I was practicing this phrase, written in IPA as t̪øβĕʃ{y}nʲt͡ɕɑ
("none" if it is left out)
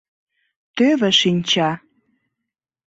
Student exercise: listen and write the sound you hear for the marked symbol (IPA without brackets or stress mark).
i